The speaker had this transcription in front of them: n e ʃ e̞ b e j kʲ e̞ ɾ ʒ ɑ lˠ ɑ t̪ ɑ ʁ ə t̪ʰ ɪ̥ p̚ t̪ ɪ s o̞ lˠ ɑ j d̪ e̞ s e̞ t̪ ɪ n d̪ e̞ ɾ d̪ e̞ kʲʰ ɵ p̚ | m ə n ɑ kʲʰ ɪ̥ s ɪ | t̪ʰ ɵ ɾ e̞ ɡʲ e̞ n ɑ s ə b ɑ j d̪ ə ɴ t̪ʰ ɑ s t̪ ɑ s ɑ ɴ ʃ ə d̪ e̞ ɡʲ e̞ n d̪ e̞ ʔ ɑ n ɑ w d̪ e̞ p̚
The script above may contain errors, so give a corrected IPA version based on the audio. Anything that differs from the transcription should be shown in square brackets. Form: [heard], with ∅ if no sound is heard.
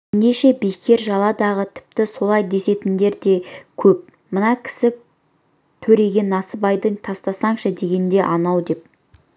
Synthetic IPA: n e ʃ e̞ b e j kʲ e̞ ɾ ʒ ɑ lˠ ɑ [d̪] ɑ ʁ ə t̪ʰ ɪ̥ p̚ t̪ ɪ s o̞ lˠ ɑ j d̪ e̞ s e̞ t̪ ɪ n d̪ e̞ ɾ d̪ e̞ kʲʰ ɵ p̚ | m ə n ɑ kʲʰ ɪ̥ s ɪ | t̪ʰ ɵ ɾ e̞ ɡʲ e̞ n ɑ s ə b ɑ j d̪ ə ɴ t̪ʰ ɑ s t̪ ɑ s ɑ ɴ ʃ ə d̪ e̞ ɡʲ e̞ n d̪ e̞ ʔ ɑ n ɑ w d̪ e̞ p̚